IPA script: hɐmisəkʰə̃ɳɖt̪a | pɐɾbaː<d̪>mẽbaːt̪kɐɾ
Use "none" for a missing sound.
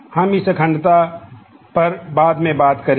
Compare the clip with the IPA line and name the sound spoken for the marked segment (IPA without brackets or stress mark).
d̪